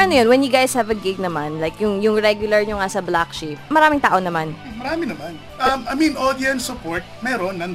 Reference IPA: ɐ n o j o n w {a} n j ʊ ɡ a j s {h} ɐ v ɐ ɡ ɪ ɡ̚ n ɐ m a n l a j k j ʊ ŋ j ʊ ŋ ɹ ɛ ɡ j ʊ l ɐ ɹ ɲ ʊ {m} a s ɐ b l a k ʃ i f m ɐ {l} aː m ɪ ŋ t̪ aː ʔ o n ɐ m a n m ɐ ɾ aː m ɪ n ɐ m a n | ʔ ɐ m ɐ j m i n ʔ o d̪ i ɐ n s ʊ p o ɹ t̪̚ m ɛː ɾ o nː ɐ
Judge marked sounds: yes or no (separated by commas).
no, yes, no, no